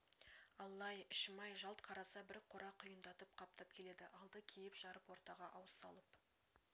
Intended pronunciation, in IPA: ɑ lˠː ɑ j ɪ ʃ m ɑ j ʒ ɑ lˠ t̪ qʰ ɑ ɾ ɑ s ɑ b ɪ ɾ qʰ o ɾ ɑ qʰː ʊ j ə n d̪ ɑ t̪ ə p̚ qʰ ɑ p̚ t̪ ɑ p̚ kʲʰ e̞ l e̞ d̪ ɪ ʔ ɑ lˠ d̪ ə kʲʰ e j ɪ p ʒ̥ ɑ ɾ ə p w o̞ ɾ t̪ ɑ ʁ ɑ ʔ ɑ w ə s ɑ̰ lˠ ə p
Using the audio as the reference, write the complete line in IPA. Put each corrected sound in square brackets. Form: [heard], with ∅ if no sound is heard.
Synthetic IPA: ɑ lˠː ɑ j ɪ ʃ m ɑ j ʒ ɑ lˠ t̪ qʰ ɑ ɾ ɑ s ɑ b ɪ ɾ qʰ o ɾ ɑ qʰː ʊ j ə n d̪ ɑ t̪ ə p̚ qʰ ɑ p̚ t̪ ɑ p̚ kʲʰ e̞ l e̞ d̪ ɪ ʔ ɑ lˠ d̪ ə kʲʰ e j ɪ p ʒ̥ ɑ ɾ ə p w o̞ ɾ t̪ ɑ ʁ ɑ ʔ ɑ w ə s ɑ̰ lˠ ə p

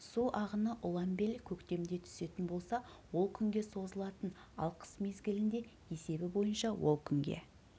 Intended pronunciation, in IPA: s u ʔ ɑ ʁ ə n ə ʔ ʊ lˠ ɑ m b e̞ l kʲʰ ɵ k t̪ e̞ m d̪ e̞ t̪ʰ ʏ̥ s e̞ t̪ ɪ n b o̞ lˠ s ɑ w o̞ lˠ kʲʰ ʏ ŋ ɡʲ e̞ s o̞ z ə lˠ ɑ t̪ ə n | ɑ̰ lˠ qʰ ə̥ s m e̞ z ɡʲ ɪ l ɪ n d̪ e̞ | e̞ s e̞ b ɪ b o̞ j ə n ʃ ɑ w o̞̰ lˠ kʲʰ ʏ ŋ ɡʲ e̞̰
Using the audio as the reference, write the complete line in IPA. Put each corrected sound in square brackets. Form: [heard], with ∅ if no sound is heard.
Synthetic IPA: s u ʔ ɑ ʁ ə n ə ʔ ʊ lˠ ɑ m b e̞ l kʲʰ ɵ k t̪ e̞ m d̪ e̞ t̪ʰ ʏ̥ s e̞ t̪ ɪ n b o̞ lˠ s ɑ w o̞ lˠ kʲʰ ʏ ŋ ɡʲ e̞ s o̞ z ə lˠ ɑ t̪ ə n | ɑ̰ lˠ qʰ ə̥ s m e̞ z ɡʲ ɪ l ɪ n d̪ e̞ | e̞ s e̞ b ɪ b o̞ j ə n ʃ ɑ w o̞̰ lˠ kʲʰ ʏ ŋ ɡʲ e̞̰

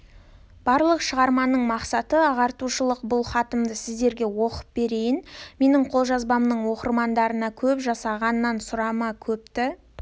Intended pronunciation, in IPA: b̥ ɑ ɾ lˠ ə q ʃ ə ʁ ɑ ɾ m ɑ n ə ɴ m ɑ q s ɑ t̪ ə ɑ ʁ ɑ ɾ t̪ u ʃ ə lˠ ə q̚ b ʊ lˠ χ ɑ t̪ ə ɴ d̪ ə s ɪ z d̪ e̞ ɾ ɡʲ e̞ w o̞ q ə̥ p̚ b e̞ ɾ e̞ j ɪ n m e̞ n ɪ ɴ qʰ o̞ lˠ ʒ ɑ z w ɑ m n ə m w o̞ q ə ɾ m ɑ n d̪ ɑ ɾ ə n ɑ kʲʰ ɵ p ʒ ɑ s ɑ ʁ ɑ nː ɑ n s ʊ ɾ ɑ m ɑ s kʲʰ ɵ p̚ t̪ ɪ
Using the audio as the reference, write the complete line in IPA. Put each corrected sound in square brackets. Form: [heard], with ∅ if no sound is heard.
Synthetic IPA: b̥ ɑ ɾ lˠ ə q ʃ ə ʁ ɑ ɾ m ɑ n ə ɴ m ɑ q s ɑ t̪ ə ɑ ʁ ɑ ɾ t̪ u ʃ ə lˠ ə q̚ b ʊ lˠ χ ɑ t̪ ə [m] d̪ ə s ɪ z d̪ e̞ ɾ ɡʲ e̞ w o̞ q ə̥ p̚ b e̞ ɾ e̞ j ɪ n m e̞ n ɪ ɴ qʰ o̞ lˠ ʒ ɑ z [b] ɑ m n ə [ɴ] w o̞ q ə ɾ m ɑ n d̪ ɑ ɾ ə n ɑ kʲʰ ɵ p ʒ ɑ s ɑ ʁ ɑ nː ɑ n s ʊ ɾ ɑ m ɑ [∅] kʲʰ ɵ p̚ t̪ ɪ

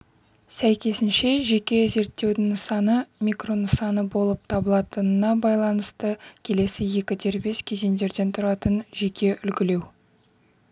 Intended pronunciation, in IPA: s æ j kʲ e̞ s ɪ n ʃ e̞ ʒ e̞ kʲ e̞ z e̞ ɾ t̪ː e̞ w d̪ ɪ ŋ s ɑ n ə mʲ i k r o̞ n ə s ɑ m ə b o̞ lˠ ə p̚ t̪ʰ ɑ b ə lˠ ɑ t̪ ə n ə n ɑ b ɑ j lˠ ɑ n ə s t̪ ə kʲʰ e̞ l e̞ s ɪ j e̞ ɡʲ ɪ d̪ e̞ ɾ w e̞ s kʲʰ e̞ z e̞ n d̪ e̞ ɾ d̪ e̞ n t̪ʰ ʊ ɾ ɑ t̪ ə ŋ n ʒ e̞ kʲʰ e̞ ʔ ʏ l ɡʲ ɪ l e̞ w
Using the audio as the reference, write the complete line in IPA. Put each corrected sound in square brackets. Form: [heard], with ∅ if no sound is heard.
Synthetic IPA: s æ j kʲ e̞ s ɪ n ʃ e̞ ʒ e̞ kʲ e̞ z e̞ ɾ t̪ː e̞ w d̪ ɪ ŋ s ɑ n ə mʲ i k r o̞ n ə s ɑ [n] ə b o̞ lˠ ə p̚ t̪ʰ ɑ b ə lˠ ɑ t̪ ə n ə n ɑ b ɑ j lˠ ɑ n ə s t̪ ə kʲʰ e̞ l e̞ s ɪ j e̞ [kʲ] ɪ d̪ e̞ ɾ [b] e̞ s kʲʰ e̞ z e̞ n d̪ e̞ ɾ d̪ e̞ n t̪ʰ ʊ ɾ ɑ t̪ ə [∅] n ʒ e̞ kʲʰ e̞ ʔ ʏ l ɡʲ ɪ l e̞ w

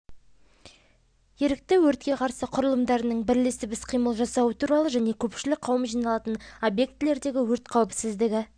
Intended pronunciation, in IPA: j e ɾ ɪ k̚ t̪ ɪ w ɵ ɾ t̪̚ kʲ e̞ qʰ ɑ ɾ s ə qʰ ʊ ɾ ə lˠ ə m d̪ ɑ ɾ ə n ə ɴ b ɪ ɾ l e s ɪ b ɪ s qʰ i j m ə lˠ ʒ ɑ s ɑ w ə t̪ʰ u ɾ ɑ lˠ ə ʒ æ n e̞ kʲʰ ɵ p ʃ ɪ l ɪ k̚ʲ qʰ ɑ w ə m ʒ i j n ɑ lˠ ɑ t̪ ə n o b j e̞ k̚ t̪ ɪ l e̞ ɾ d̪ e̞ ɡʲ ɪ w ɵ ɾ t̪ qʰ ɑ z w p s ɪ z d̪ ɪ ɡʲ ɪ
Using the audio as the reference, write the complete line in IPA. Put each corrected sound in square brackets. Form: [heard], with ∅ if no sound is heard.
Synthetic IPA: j e ɾ ɪ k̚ t̪ ɪ w ɵ ɾ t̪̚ kʲ e̞ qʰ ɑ ɾ s ə qʰ ʊ ɾ ə lˠ ə m d̪ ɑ ɾ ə n ə ɴ b ɪ ɾ l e s ɪ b ɪ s qʰ i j m ə lˠ ʒ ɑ s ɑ w ə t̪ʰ u ɾ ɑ lˠ ə ʒ æ n e̞ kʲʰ ɵ p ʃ ɪ l ɪ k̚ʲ qʰ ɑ w ə m ʒ i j n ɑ lˠ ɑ t̪ ə n o b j e̞ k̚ t̪ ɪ l e̞ ɾ d̪ e̞ ɡʲ ɪ w ɵ ɾ t̪ qʰ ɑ [∅] w p s ɪ z d̪ ɪ ɡʲ ɪ

